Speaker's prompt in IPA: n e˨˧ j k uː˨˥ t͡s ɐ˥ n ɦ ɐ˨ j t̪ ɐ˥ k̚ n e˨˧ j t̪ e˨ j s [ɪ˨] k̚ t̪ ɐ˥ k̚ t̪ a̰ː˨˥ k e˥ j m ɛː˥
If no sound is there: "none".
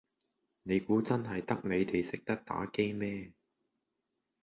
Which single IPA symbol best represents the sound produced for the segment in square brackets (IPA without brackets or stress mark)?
ɪ˨